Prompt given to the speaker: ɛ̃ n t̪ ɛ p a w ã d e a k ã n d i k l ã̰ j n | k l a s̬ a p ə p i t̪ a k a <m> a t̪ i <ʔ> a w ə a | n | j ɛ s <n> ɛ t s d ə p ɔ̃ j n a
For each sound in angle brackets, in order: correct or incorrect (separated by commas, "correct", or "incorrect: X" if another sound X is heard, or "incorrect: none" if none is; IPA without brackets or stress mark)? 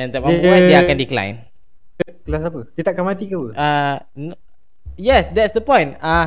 correct, incorrect: k, incorrect: d